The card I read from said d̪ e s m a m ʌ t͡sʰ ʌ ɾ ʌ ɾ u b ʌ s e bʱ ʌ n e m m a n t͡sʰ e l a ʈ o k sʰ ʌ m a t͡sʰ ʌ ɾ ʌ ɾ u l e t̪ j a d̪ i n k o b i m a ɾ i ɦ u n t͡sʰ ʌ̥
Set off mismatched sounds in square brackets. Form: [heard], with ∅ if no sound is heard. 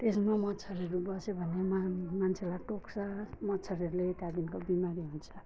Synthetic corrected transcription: [t̪] e s m a m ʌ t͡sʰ ʌ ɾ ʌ ɾ u b ʌ s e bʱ ʌ n e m m a n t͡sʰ e l a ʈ o k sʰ ʌ m [ʌ] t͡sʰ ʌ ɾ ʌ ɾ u l e t̪ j a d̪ i n k o b i m a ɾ i ɦ u n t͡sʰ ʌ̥